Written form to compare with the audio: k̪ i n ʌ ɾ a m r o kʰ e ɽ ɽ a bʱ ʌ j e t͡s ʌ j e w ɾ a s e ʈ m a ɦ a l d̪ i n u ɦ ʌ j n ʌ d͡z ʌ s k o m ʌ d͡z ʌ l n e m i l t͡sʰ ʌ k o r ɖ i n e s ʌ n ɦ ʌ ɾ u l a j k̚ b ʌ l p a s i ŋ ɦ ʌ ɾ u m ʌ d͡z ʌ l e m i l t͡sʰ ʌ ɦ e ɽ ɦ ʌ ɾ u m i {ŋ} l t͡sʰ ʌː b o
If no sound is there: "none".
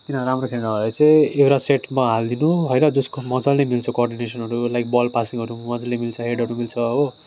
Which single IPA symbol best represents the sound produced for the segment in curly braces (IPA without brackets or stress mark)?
none